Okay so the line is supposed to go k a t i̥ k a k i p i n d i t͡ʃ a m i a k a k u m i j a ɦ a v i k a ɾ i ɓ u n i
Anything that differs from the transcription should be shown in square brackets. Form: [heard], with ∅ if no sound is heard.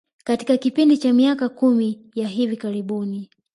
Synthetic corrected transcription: k a t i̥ k a k i p i n d i t͡ʃ a m i a k a k u m i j a ɦ [i] v i k a ɾ i ɓ u n i